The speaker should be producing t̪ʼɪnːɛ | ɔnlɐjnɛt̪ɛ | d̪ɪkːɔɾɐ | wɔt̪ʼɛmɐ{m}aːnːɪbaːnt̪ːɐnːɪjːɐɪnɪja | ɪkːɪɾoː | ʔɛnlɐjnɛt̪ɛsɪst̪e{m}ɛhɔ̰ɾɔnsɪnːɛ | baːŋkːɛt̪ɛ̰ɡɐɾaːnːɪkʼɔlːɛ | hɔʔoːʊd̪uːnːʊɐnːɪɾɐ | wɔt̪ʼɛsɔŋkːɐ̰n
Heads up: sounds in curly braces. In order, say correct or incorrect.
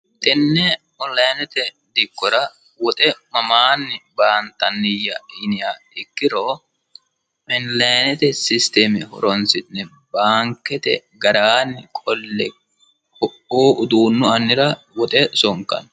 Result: correct, correct

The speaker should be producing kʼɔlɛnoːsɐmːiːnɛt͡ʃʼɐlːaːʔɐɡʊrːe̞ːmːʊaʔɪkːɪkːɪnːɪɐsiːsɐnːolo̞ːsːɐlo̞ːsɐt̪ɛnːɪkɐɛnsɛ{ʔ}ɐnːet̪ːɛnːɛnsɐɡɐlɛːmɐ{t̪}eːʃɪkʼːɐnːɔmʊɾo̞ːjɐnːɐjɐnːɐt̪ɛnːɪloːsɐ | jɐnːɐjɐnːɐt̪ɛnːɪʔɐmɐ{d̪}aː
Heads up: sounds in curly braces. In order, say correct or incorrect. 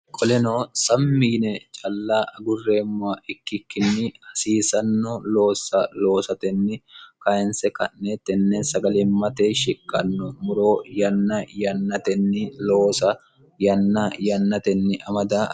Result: incorrect: k, correct, correct

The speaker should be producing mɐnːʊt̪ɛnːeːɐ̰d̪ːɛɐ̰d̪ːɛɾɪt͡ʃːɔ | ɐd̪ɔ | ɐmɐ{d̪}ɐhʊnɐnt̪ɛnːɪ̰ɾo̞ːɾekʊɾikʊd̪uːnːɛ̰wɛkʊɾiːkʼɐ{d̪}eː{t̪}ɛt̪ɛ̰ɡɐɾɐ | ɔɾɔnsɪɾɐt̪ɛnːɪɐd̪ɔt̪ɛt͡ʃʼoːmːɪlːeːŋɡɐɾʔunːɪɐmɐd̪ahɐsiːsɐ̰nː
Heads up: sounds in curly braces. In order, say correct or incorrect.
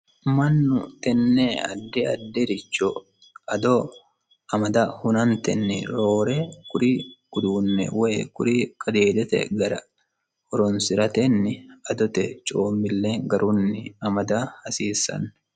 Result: correct, correct, incorrect: d̪

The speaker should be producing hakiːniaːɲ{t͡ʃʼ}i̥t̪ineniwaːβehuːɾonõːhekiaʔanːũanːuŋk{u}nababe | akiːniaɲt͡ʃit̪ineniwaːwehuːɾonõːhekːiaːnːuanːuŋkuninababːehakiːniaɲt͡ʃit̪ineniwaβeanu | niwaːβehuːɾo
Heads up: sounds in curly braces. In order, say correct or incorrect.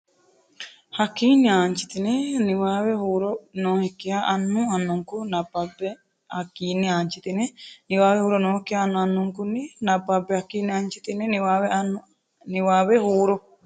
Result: incorrect: t͡ʃ, correct

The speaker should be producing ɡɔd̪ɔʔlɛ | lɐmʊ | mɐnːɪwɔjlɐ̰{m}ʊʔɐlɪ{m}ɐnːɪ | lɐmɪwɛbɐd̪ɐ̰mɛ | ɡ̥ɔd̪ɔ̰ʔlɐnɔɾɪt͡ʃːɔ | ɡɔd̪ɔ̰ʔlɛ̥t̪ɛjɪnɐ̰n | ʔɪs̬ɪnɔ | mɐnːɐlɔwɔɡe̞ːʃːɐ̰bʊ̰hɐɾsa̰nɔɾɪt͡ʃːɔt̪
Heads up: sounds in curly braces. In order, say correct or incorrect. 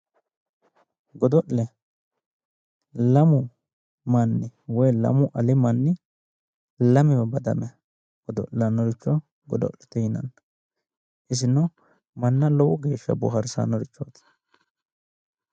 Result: correct, correct

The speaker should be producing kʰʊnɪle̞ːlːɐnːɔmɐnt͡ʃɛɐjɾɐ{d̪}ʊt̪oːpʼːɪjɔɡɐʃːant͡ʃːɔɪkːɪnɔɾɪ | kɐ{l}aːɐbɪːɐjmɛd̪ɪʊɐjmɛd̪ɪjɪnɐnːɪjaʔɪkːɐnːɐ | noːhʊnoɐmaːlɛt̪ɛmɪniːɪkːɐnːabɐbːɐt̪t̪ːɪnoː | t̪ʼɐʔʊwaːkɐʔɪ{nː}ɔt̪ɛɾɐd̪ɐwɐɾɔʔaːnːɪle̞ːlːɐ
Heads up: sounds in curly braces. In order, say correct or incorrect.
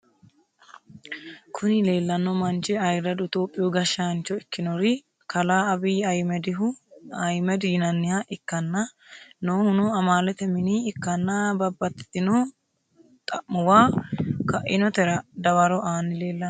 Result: correct, correct, incorrect: n

